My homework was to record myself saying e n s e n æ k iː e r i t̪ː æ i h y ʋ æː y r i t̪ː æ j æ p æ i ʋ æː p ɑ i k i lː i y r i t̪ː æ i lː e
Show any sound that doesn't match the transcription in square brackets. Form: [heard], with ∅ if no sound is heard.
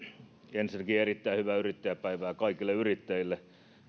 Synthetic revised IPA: e n s [i] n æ k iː e r i t̪ː æ i h y ʋ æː y r i t̪ː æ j æ p æ i ʋ æː [k] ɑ i k i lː [e] y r i t̪ː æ i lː e